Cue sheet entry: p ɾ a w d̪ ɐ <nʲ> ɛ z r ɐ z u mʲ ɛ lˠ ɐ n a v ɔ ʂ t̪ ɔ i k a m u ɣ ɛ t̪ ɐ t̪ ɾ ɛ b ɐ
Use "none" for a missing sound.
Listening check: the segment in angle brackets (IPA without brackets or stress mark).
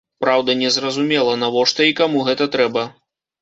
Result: nʲ